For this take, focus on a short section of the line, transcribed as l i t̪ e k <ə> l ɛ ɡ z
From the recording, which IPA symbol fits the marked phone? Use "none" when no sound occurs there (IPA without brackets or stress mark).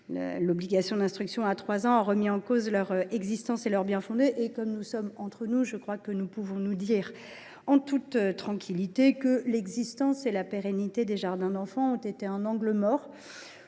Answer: ə